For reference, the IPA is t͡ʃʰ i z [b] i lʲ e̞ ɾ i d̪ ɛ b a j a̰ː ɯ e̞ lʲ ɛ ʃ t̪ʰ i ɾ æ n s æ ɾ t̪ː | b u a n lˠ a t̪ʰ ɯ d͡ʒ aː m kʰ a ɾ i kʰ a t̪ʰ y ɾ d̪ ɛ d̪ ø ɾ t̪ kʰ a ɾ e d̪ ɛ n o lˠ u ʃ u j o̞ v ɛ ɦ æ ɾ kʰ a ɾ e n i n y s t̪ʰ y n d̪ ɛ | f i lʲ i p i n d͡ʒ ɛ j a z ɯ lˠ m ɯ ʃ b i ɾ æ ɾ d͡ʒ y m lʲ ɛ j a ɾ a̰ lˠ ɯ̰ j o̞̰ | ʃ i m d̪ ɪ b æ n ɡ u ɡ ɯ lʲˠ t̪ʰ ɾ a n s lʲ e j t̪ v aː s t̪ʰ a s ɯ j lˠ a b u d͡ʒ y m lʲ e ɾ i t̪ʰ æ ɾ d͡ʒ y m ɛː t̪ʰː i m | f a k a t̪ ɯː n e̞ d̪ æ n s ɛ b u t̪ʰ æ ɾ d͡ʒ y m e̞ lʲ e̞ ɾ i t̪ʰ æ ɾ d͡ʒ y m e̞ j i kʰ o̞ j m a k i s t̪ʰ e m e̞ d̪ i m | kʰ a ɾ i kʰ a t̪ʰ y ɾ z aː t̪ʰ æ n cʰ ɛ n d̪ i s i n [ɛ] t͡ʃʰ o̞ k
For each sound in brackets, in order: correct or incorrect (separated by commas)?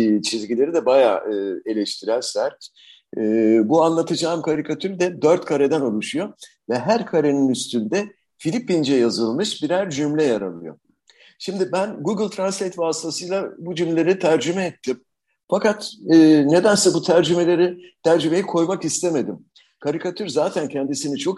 incorrect, incorrect